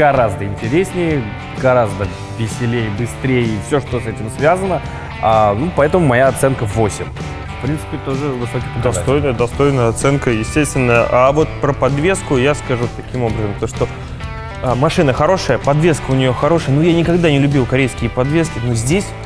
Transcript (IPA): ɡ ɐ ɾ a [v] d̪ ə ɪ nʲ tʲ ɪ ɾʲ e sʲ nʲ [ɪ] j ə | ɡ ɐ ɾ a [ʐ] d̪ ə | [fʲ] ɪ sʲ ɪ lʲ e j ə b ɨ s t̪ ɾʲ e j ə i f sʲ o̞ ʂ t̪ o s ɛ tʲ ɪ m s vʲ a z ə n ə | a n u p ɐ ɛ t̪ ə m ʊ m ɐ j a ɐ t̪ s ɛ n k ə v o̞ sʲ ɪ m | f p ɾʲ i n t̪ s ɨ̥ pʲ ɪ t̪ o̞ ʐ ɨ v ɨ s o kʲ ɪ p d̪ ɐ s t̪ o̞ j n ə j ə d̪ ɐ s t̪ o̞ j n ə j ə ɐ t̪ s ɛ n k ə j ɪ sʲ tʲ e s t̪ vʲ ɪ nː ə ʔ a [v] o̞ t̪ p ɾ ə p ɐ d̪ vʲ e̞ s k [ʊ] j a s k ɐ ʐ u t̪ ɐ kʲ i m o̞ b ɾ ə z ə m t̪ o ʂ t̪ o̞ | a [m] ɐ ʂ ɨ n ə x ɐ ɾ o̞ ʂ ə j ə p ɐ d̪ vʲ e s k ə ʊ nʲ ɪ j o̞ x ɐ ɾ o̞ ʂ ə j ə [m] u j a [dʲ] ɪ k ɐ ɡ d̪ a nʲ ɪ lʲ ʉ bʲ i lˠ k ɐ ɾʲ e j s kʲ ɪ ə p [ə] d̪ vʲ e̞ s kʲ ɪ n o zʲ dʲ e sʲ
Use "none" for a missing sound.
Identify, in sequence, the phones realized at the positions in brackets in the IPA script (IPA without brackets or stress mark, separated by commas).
z, ɪ, z, vʲ, v, ʊ, m, n, nʲ, ɐ